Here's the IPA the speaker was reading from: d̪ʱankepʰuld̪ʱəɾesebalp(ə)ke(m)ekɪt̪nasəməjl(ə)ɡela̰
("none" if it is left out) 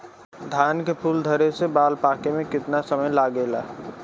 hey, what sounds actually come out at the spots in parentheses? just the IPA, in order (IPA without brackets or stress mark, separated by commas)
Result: a, m, a